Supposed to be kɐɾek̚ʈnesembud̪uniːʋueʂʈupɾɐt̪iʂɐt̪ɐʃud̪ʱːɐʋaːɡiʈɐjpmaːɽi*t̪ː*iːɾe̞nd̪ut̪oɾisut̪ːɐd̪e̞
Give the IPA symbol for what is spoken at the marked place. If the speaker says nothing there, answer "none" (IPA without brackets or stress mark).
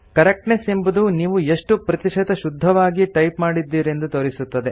d̪ː